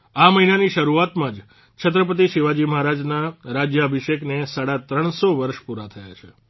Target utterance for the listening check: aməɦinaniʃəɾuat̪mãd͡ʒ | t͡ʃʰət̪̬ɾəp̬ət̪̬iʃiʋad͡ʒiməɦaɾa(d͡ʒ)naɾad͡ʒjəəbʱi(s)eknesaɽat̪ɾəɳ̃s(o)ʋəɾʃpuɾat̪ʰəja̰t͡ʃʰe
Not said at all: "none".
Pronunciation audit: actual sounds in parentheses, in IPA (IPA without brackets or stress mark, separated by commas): d͡ʒ, ʃ, o